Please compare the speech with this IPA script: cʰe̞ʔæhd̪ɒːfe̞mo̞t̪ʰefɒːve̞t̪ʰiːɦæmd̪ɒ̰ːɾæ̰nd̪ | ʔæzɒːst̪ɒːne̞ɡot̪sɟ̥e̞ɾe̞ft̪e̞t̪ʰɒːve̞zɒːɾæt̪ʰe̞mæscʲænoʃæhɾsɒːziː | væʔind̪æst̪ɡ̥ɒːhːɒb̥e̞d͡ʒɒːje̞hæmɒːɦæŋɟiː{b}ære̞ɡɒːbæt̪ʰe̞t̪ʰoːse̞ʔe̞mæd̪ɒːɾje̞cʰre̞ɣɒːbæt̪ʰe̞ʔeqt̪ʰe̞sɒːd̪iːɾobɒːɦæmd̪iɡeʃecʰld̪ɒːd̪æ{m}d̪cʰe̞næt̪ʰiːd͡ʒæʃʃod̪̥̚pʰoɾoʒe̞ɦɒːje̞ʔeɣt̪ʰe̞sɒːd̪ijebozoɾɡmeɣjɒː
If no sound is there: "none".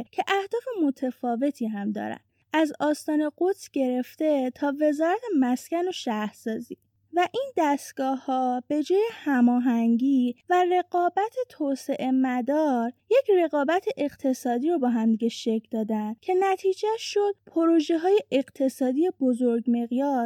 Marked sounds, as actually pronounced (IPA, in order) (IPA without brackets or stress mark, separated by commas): v, n